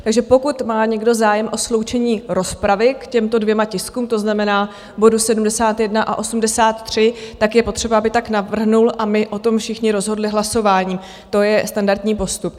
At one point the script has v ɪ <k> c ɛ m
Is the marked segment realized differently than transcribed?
no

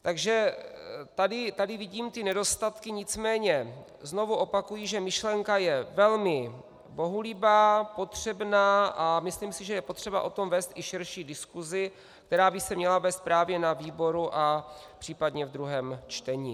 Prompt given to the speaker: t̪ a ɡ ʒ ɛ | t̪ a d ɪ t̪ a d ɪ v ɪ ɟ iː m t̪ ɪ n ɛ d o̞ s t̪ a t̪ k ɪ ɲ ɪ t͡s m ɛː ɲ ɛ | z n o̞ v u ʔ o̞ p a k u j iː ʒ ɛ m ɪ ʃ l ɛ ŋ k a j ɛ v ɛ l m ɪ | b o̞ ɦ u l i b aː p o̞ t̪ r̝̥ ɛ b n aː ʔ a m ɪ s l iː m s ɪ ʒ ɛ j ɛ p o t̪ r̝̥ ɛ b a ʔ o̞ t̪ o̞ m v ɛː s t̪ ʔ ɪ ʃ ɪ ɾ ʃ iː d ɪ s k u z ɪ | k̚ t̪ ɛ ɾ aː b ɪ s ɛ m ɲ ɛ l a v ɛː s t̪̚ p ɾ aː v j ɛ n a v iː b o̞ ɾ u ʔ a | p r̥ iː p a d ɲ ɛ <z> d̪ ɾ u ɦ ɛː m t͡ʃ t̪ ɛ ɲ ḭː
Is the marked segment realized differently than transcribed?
yes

